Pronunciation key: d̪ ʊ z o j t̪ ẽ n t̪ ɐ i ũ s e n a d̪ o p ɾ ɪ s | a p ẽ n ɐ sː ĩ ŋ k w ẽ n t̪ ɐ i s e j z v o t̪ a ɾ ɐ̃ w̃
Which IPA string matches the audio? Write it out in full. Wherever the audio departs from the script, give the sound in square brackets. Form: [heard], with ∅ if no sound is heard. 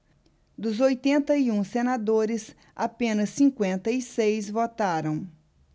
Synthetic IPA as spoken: d̪ ʊ z o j t̪ ẽ n t̪ ɐ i ũ s e n a d̪ o [∅] ɾ ɪ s | a p ẽ n ɐ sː ĩ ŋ k w ẽ n t̪ ɐ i s e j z v o t̪ a ɾ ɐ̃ w̃

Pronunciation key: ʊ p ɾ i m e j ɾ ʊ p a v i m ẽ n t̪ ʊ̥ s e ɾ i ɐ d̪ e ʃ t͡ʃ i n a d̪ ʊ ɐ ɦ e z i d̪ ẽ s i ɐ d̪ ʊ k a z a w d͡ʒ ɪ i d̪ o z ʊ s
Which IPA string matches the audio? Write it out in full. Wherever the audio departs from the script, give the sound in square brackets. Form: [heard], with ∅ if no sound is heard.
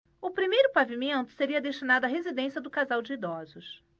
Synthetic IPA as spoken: ʊ p ɾ i m e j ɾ ʊ p a v i m ẽ n t̪ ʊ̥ s e ɾ i ɐ d̪ e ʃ t͡ʃ i n a d̪ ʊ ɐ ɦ e z i d̪ ẽ s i ɐ d̪ ʊ k a z a w d͡ʒ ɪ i d̪ [ɔ] z ʊ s

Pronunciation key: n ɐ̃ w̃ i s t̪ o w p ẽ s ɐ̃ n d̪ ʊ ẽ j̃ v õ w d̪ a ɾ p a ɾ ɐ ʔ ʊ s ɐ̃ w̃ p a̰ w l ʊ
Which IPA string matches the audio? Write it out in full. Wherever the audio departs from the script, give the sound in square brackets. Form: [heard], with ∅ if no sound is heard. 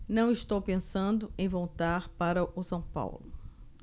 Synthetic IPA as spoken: n ɐ̃ w̃ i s t̪ o w p ẽ s ɐ̃ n d̪ ʊ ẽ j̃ v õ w [t̪] a ɾ p a ɾ ɐ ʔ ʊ s ɐ̃ w̃ p a̰ w l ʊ

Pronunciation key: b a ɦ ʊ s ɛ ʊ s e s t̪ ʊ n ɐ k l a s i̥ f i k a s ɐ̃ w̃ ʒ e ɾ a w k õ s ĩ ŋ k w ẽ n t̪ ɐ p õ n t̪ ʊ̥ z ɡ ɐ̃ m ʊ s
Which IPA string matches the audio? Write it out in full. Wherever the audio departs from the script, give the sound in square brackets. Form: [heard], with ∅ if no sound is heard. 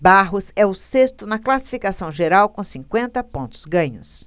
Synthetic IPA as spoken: b a ɦ ʊ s ɛ ʊ s e s t̪ ʊ n ɐ k l a s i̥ f i k a s ɐ̃ w̃ ʒ e ɾ a w k õ s ĩ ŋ k w ẽ n t̪ ɐ p õ n t̪ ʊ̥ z ɡ ɐ̃ [ɲ] ʊ s

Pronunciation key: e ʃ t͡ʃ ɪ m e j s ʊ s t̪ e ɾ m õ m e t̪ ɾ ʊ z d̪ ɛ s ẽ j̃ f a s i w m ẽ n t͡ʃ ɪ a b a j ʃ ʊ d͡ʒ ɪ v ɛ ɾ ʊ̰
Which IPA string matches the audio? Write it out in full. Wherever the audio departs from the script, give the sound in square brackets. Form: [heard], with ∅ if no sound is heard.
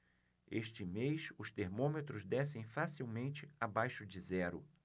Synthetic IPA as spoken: e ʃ t͡ʃ ɪ m e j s ʊ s t̪ e ɾ m õ m e t̪ ɾ ʊ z d̪ ɛ s ẽ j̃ f a s i w m ẽ n t͡ʃ ɪ a b a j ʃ ʊ d͡ʒ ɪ [z] ɛ ɾ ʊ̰

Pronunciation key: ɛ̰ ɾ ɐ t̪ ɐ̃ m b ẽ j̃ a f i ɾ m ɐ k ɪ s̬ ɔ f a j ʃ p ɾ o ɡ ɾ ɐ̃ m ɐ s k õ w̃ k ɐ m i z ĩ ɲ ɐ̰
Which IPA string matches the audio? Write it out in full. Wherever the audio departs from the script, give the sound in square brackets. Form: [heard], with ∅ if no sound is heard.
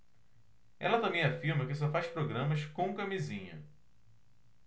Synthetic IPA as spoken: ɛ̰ [l] ɐ t̪ ɐ̃ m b ẽ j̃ a f i ɾ m ɐ k ɪ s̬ ɔ f a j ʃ p ɾ o ɡ ɾ ɐ̃ m ɐ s k õ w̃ k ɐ m i z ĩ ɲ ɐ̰

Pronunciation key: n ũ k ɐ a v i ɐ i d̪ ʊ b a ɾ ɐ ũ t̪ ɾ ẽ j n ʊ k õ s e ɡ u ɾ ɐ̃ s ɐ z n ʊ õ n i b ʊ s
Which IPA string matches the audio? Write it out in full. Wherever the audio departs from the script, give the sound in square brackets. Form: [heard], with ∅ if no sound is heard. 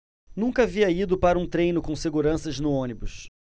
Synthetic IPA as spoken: n ũ k ɐ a v i ɐ i d̪ ʊ [p] a ɾ ɐ ũ t̪ ɾ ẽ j n ʊ k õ s e ɡ u ɾ ɐ̃ s ɐ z n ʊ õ n i b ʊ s

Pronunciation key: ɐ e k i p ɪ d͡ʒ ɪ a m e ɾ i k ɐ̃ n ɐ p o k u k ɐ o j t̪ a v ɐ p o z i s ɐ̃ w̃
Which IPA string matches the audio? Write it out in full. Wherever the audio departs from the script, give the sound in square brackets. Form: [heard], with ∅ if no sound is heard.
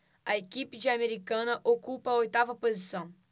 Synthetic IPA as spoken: ɐ e k i p ɪ d͡ʒ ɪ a m e ɾ i k ɐ̃ n ɐ [ʔ] o k u [p] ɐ o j t̪ a v ɐ p o z i s ɐ̃ w̃

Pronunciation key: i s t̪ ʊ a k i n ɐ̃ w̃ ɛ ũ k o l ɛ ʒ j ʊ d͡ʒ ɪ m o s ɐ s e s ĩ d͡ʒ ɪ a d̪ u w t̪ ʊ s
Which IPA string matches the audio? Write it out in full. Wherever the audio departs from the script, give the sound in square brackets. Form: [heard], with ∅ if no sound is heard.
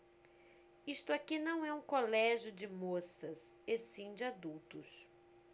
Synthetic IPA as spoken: i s t̪ ʊ a k i n ɐ̃ w̃ ɛ ũ k o l ɛ ʒ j ʊ d͡ʒ ɪ m o s ɐ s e s ĩ d͡ʒ ɪ a d̪ u w t̪ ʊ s

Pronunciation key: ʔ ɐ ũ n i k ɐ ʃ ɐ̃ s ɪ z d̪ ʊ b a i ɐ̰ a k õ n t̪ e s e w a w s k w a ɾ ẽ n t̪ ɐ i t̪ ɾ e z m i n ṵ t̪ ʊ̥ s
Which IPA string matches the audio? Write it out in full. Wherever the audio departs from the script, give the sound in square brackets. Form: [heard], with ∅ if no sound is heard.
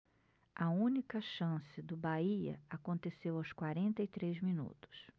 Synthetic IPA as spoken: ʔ ɐ ũ n i k ɐ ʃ ɐ̃ s ɪ [∅] d̪ ʊ b a i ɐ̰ a k õ n t̪ e s e w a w s k w a ɾ ẽ n t̪ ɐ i t̪ ɾ e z m i n ṵ t̪ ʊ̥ s

